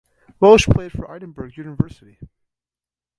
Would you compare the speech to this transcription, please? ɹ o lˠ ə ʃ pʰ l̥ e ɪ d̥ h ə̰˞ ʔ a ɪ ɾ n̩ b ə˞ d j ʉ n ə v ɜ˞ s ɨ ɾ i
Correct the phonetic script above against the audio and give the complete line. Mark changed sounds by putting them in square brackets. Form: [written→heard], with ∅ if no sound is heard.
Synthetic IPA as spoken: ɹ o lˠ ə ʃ pʰ l̥ e ɪ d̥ [h→f] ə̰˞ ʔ a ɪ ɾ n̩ b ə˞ [d→ɡ] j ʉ n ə v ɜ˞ s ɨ ɾ i